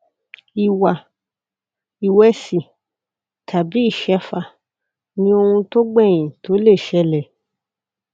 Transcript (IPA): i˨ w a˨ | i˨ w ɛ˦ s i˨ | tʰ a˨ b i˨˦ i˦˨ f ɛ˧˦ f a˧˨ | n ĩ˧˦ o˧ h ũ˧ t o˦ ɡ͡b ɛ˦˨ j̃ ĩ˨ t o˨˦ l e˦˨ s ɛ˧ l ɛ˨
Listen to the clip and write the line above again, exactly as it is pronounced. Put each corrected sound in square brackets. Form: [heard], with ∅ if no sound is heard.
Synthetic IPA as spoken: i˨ w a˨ | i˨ w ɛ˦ s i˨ | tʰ a˨ b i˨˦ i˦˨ [ʃ] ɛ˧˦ f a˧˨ | n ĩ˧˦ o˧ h ũ˧ t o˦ ɡ͡b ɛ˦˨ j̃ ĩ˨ t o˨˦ l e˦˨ [ʃ] ɛ˧ l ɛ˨

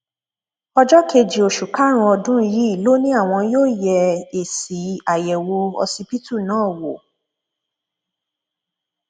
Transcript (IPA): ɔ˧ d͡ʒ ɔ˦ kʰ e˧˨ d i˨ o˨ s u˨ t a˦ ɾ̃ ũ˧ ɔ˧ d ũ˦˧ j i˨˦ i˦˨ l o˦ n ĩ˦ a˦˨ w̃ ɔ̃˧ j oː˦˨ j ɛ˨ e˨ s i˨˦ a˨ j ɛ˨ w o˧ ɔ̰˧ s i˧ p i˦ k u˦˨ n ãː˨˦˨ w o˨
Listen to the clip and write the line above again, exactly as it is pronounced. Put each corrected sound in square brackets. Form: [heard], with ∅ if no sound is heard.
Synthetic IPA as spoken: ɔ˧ d͡ʒ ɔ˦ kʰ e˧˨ [d͡ʒ] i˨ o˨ [ʃ] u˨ [k] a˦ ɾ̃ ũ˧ ɔ˧ d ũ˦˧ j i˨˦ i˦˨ l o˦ n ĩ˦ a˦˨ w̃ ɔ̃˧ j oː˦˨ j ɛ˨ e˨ s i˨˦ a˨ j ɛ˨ w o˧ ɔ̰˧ s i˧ p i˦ [t] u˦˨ n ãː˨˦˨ w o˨

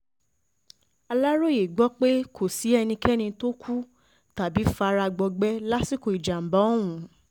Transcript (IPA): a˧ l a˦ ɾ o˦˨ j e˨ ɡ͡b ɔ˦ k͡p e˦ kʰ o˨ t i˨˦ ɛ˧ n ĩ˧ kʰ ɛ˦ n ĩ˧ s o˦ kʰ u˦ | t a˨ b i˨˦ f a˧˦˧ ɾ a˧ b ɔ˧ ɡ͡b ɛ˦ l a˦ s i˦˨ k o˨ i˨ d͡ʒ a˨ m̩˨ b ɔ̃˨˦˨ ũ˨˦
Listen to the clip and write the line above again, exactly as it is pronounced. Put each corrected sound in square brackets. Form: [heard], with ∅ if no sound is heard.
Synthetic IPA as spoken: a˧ l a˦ ɾ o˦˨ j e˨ ɡ͡b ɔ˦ k͡p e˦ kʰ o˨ [s] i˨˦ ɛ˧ n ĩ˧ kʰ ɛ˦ n ĩ˧ [t] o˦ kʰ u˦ | t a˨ b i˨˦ f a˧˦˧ ɾ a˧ [ɡ͡b] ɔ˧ ɡ͡b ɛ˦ l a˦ s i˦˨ k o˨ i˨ d͡ʒ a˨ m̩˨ b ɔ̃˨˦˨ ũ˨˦

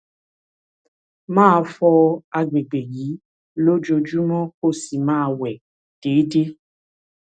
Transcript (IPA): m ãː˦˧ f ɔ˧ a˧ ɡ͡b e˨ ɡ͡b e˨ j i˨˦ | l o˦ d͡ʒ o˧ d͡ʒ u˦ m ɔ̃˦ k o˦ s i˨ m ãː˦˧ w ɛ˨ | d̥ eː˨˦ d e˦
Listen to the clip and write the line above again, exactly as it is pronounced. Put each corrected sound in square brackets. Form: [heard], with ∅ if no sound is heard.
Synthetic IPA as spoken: m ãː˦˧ f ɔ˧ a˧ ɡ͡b e˨ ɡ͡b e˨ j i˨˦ | l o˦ d͡ʒ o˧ d͡ʒ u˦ m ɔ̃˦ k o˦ s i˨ m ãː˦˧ w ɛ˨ | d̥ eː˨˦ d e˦

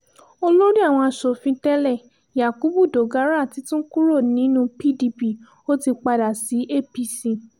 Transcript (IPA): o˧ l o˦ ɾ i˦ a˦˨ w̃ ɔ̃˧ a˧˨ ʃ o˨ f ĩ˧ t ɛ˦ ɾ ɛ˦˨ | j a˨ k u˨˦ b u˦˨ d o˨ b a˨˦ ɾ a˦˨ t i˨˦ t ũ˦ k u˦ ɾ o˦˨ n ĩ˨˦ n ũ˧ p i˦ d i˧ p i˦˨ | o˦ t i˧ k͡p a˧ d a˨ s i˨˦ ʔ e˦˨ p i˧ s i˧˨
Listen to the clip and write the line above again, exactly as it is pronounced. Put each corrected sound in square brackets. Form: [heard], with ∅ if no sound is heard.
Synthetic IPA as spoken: o˧ l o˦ ɾ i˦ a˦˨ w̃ ɔ̃˧ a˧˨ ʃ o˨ f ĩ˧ t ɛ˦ [l] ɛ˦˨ | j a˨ k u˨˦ b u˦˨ d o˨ [ɡ] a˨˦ ɾ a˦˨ t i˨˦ t ũ˦ k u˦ ɾ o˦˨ n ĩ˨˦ n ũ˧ p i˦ d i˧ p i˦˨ | o˦ t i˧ k͡p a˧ d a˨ s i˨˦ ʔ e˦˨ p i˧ s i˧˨

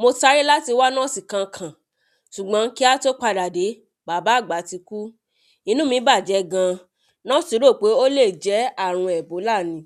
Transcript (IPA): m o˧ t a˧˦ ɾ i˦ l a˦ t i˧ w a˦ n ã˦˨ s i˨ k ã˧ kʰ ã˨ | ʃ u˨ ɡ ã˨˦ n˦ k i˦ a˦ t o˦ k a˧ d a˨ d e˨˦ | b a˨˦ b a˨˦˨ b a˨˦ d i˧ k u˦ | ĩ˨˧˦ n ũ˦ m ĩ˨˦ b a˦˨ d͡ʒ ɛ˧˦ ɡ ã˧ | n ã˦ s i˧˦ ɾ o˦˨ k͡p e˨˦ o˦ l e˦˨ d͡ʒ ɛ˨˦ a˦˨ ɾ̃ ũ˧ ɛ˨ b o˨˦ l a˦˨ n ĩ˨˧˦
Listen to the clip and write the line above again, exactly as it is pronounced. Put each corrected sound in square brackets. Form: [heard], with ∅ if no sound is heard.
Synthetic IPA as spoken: m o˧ t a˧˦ ɾ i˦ l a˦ t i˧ w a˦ n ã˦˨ s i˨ k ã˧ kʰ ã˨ | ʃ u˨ [ɡ͡b] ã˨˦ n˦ k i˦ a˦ t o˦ [k͡p] a˧ d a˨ d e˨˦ | b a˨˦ b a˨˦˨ [ɡ͡b] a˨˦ [t] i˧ k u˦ | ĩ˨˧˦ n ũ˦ m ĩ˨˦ b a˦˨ d͡ʒ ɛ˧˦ ɡ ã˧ | n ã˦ s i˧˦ ɾ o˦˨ k͡p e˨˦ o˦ l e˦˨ d͡ʒ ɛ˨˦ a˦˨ ɾ̃ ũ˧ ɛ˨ b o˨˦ l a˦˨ n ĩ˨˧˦

